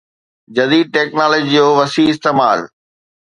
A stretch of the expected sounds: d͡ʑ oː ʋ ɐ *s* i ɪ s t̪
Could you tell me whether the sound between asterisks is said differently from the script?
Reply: no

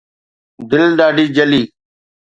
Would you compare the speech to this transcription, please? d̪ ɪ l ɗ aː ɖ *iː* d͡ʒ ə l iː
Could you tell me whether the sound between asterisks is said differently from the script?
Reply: no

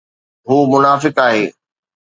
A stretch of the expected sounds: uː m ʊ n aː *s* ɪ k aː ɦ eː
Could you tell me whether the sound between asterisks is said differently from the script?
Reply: yes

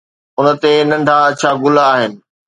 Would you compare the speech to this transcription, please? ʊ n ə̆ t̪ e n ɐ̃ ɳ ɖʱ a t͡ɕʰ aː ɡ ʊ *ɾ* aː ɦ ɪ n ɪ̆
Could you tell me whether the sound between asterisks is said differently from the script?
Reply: yes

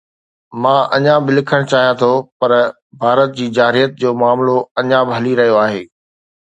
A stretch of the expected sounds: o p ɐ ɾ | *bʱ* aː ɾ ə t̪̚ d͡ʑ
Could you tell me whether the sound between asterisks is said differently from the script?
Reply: no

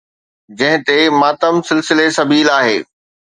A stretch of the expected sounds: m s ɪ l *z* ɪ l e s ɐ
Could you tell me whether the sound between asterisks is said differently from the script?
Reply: yes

